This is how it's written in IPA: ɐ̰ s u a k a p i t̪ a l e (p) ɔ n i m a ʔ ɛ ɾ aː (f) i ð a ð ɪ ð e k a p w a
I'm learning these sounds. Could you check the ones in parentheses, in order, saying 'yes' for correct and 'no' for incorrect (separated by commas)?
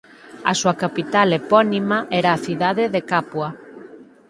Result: yes, no